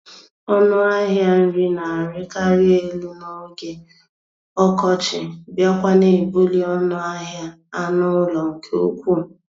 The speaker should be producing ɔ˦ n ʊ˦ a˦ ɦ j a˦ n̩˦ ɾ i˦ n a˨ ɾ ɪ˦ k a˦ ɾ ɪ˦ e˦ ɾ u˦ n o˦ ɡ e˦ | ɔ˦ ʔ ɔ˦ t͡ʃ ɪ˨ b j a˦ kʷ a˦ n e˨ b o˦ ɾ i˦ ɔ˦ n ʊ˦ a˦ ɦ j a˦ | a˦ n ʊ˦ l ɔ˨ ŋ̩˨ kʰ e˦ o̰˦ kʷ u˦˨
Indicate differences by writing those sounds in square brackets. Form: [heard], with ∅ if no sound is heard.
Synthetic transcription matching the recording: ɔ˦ n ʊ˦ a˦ ɦ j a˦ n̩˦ ɾ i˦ n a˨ ɾ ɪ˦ k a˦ ɾ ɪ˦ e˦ [l] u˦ n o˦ ɡ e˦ | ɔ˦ [k] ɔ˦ t͡ʃ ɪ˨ b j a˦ kʷ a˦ n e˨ b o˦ [l] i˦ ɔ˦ n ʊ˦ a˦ ɦ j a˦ | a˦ n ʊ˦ l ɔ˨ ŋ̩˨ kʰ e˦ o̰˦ kʷ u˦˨